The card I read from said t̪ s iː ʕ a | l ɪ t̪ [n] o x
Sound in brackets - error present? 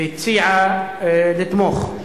yes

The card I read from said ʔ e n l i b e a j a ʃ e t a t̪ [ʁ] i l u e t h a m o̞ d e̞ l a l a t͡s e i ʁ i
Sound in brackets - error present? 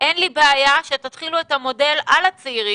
yes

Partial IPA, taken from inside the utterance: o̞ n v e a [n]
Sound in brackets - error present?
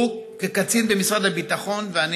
no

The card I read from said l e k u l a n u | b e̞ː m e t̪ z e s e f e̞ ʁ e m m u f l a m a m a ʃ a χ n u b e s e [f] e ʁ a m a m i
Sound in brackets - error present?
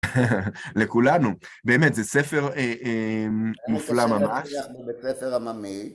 no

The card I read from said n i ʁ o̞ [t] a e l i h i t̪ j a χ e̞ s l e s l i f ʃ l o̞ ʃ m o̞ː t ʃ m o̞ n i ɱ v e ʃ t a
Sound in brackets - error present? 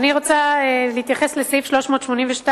yes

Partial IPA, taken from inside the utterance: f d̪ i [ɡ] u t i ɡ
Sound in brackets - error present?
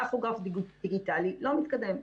no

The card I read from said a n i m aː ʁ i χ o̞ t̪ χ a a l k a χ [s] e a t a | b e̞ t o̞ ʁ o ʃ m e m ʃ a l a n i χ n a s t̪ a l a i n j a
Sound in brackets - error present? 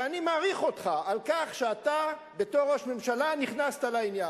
yes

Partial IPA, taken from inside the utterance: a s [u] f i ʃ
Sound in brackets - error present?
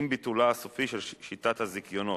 yes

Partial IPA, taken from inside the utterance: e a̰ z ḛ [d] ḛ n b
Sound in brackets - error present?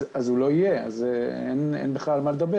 yes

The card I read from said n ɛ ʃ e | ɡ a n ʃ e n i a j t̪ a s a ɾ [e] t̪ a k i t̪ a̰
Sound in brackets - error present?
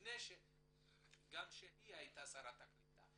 yes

